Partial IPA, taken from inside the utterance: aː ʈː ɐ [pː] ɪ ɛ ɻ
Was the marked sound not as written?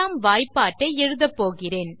yes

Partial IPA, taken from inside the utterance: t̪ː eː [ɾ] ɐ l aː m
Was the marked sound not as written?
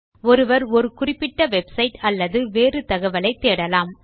yes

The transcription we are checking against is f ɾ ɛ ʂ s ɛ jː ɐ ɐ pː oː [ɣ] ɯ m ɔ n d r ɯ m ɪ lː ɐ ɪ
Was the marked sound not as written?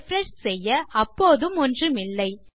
yes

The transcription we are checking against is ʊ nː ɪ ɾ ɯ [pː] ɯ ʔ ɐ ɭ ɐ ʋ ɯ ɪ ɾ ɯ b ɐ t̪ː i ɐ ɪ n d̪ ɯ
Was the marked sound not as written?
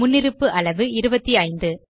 no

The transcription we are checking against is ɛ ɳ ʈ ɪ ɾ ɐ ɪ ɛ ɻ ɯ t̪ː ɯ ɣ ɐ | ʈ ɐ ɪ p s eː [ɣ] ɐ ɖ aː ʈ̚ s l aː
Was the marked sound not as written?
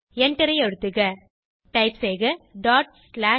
no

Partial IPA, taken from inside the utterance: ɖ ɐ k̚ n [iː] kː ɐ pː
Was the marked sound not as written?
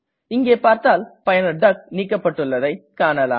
no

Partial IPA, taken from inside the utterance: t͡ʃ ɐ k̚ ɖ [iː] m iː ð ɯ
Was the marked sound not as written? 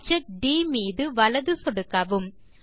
no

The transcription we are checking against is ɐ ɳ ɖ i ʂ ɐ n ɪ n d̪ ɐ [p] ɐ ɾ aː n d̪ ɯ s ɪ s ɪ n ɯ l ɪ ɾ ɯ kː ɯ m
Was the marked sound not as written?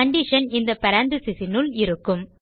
no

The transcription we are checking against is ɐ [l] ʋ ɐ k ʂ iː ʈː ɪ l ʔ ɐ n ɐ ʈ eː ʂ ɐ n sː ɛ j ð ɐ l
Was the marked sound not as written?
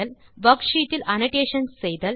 no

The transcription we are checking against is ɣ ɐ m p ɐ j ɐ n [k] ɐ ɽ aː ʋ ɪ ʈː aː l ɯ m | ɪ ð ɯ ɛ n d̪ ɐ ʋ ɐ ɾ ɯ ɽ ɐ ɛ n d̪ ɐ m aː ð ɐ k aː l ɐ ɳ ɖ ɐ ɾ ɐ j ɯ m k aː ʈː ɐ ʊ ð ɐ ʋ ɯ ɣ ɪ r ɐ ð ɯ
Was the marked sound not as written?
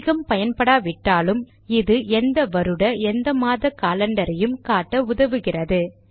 yes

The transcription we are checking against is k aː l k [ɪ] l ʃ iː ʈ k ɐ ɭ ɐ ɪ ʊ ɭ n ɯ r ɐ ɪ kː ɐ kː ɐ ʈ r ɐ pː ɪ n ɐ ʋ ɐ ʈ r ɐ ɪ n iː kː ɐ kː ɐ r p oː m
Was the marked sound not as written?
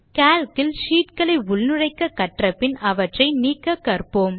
no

